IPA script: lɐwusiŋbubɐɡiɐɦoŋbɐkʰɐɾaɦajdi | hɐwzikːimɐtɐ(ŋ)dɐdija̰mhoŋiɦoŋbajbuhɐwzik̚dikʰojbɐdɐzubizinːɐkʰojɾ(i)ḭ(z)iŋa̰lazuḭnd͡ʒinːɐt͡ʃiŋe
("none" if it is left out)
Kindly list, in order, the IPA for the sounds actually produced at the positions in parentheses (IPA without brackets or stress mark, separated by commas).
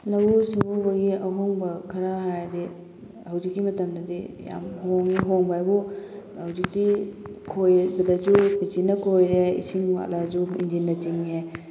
m, e, s